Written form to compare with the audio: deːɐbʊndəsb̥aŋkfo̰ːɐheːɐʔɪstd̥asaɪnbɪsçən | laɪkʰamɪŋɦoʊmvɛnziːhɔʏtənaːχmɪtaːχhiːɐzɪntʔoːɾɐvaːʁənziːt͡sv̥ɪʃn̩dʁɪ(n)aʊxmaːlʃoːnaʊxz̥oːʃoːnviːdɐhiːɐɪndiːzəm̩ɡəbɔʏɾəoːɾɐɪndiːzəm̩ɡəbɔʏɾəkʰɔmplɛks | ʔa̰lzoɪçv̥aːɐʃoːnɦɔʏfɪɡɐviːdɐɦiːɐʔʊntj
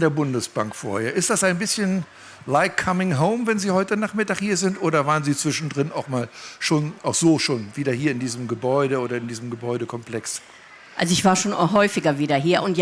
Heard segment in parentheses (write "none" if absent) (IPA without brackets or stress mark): n